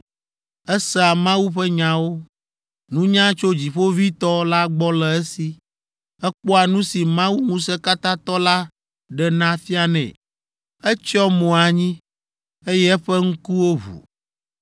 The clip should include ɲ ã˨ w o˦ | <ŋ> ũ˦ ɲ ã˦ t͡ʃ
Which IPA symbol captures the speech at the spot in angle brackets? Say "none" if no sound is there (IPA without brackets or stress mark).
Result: n